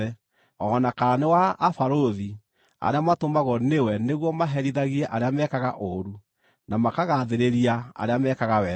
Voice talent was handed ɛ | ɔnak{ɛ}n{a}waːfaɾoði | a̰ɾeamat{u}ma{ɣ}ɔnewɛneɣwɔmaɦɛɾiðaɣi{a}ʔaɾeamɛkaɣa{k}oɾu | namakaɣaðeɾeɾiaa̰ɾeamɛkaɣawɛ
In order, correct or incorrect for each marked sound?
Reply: incorrect, incorrect, incorrect, correct, incorrect, incorrect

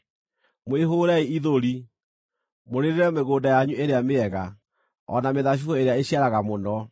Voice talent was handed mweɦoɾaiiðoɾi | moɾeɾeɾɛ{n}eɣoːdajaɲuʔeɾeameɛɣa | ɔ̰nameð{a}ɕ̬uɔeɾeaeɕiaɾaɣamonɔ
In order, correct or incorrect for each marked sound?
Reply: incorrect, correct

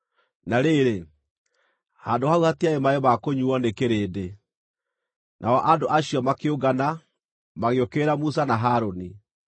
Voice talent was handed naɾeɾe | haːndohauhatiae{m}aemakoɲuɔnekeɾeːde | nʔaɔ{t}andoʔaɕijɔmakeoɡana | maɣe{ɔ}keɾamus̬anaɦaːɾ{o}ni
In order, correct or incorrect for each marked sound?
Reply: correct, incorrect, incorrect, correct

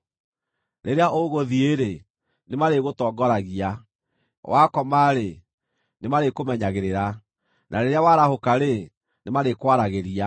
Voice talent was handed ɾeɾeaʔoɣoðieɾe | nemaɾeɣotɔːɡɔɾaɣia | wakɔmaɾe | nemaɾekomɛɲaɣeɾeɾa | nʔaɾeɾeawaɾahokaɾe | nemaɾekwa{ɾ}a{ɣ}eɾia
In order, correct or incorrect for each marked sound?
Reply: correct, correct

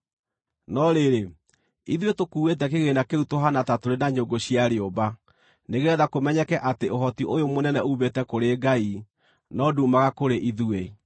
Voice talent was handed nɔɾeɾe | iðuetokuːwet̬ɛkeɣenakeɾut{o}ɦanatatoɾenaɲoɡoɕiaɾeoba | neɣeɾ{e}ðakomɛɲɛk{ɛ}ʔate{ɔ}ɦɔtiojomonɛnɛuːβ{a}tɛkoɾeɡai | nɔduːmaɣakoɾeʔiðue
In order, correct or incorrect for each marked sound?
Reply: correct, incorrect, correct, incorrect, incorrect

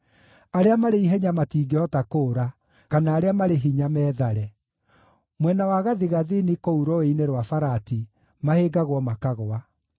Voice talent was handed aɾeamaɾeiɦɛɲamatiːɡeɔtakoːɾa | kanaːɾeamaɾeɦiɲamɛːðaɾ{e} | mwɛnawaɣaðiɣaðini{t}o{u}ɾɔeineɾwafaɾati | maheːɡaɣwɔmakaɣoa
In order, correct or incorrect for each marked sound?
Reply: incorrect, incorrect, correct

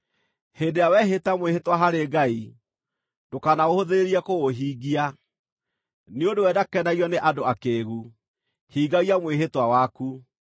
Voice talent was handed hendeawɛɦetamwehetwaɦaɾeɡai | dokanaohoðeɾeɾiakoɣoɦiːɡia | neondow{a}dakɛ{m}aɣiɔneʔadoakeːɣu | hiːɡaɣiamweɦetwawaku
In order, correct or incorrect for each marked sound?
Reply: incorrect, incorrect

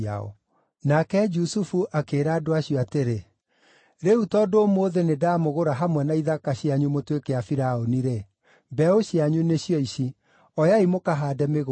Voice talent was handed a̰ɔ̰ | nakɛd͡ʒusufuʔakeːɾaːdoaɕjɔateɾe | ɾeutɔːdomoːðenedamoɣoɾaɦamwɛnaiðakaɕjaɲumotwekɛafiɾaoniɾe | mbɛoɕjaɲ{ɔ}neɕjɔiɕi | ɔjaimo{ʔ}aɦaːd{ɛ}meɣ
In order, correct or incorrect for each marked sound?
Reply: incorrect, incorrect, correct

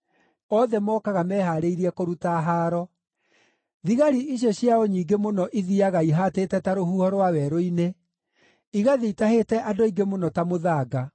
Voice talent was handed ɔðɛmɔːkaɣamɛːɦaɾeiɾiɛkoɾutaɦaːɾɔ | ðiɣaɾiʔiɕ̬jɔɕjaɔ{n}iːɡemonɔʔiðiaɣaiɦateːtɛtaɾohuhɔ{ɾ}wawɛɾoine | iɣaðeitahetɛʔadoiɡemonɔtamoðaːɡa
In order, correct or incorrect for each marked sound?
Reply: incorrect, correct

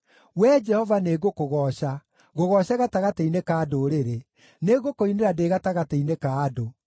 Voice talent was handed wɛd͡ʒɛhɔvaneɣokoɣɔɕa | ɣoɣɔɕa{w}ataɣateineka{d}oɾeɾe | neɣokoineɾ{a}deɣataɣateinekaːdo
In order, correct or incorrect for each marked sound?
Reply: incorrect, correct, correct

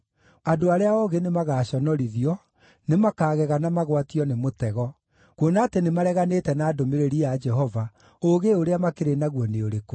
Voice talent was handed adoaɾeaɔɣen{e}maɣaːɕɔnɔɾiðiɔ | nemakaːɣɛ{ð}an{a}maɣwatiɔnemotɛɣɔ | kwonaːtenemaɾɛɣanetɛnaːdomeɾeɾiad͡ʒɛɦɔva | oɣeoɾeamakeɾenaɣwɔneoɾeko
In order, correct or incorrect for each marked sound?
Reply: correct, incorrect, correct

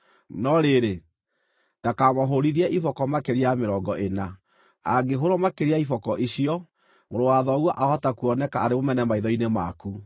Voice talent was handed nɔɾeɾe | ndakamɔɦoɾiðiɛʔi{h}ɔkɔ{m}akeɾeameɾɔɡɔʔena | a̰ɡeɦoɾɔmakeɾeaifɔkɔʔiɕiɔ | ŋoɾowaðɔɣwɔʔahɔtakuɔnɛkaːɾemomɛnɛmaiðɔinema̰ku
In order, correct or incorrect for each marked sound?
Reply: incorrect, correct

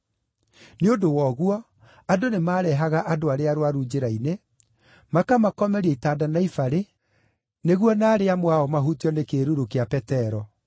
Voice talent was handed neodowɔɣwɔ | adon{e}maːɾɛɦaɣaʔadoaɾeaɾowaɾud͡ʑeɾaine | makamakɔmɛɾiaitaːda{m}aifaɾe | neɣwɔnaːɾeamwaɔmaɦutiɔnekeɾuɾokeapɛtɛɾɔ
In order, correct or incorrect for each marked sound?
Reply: correct, incorrect

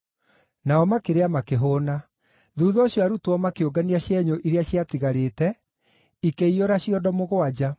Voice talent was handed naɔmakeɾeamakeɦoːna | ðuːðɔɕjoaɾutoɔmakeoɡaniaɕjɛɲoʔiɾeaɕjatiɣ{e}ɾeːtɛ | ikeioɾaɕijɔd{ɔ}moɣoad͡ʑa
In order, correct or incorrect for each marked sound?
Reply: incorrect, correct

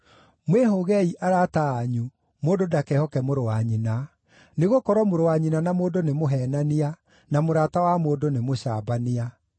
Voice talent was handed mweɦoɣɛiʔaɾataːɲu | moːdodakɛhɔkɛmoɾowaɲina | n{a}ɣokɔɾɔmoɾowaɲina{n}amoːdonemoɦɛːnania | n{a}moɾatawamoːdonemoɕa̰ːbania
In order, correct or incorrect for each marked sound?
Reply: incorrect, correct, correct

